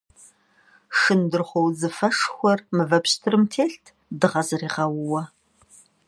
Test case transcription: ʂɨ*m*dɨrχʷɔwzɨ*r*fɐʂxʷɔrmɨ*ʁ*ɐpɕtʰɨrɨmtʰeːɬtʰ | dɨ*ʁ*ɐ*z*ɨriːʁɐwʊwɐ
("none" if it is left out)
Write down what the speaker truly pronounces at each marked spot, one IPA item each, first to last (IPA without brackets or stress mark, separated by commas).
n, none, v, ʁ, z